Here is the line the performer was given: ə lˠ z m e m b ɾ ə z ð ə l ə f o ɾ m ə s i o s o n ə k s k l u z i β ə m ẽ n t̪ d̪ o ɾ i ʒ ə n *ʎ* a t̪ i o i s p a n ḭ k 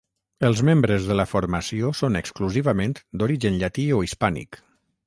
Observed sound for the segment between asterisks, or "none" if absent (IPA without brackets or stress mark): ʎ